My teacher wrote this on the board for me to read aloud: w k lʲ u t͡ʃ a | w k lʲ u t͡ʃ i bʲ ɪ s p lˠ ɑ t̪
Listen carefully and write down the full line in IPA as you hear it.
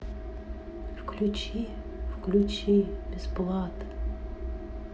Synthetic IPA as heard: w k lʲ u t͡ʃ i | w k lʲ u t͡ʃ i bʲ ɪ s p lˠ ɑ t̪